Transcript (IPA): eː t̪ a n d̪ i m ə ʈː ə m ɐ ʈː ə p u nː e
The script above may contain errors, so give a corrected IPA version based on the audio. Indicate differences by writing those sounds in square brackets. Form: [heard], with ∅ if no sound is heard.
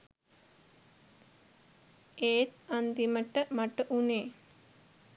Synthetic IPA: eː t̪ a n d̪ i m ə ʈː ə m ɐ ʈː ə [ʔ] u [n] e